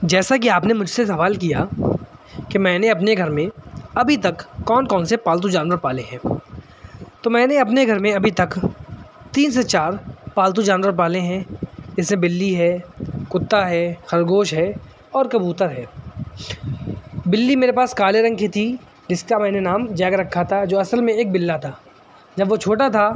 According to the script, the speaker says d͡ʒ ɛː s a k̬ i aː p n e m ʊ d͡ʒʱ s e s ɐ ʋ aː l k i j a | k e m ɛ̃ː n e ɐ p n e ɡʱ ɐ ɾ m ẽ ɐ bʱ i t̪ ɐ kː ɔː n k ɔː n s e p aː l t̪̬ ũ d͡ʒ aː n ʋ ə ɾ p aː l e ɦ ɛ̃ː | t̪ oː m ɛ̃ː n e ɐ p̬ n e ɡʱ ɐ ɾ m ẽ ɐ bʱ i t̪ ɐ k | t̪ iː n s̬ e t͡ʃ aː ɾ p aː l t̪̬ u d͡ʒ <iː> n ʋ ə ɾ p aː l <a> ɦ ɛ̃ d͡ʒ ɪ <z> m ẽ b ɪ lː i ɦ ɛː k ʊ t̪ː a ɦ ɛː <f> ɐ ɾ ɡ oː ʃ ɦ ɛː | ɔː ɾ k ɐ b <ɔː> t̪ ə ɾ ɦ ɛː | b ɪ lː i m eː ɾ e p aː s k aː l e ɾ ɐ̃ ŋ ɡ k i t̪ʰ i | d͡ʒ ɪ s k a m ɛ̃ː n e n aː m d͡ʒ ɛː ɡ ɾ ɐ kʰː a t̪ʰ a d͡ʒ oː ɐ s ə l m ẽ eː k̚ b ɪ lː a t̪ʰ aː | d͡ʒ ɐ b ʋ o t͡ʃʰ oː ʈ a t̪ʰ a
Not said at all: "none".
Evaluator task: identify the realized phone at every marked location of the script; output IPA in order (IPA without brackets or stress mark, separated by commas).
aː, e, s, x, uː